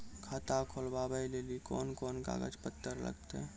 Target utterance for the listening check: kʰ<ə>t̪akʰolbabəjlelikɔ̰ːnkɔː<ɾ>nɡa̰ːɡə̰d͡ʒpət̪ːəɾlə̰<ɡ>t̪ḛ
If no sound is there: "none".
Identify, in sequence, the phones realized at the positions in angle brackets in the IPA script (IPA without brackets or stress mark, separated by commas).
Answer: a, none, ɡ